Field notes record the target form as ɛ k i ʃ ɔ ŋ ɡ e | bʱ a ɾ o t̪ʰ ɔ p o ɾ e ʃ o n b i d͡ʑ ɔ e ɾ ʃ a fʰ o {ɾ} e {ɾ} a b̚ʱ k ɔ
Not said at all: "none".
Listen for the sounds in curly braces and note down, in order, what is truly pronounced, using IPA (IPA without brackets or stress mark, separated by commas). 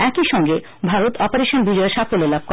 l, l